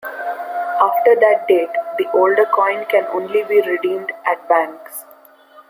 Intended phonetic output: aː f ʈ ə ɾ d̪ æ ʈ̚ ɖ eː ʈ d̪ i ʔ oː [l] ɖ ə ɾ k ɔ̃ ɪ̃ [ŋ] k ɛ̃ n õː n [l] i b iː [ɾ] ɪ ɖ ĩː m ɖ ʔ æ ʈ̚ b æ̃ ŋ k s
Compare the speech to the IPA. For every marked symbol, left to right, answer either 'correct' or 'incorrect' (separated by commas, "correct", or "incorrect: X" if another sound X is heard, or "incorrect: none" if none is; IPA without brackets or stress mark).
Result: correct, incorrect: n, correct, correct